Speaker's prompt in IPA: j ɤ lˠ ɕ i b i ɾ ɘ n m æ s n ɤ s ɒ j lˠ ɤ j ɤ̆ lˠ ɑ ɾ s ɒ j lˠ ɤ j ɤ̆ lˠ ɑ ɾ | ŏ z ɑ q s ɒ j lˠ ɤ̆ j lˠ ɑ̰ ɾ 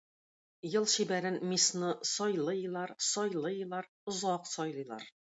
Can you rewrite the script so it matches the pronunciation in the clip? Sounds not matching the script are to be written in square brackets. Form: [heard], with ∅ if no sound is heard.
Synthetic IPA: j ɤ lˠ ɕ i b [æ] ɾ ɘ n m [i] s n ɤ s ɒ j lˠ ɤ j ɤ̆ lˠ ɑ ɾ s ɒ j lˠ ɤ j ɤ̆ lˠ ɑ ɾ | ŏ z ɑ q s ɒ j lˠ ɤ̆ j lˠ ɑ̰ ɾ